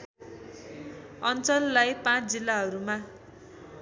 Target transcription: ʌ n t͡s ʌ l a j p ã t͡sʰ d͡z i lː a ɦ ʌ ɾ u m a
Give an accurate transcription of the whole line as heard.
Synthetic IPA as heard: ʌ n t͡s ʌ lː a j p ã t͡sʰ d͡z i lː a ɦ ʌ ɾ u m a